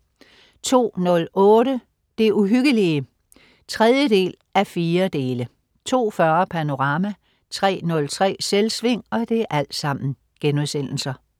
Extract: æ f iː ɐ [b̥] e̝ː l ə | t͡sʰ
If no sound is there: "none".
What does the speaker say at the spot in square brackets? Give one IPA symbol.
d̥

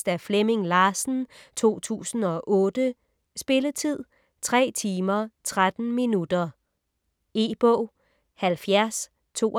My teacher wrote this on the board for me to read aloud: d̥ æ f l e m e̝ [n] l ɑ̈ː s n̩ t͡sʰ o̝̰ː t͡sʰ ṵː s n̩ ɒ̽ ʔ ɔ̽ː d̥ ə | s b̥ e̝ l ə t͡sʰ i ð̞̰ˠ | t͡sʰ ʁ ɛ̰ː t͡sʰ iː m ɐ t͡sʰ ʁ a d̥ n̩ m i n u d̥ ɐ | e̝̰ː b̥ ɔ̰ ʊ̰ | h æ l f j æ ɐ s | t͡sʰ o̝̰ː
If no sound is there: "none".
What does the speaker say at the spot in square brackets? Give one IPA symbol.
ŋ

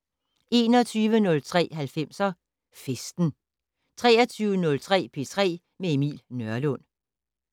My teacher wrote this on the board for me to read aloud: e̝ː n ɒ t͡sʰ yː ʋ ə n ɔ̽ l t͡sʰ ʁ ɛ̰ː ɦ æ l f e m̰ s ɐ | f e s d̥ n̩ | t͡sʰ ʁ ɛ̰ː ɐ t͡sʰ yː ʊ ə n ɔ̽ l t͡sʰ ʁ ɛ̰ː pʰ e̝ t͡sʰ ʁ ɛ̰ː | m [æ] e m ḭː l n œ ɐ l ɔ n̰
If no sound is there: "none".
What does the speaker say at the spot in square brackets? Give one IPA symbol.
e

